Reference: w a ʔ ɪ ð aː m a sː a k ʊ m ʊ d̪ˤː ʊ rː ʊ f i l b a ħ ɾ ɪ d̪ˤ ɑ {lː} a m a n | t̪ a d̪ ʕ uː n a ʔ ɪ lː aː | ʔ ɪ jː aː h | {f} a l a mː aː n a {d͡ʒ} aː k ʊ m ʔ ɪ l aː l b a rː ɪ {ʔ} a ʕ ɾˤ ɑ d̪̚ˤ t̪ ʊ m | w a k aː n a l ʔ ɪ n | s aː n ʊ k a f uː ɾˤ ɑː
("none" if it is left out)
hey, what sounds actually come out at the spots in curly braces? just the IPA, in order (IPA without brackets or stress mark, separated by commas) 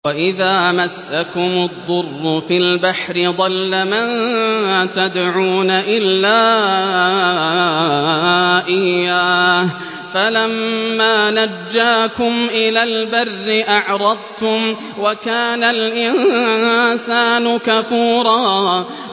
lː, f, d͡ʒː, ʔ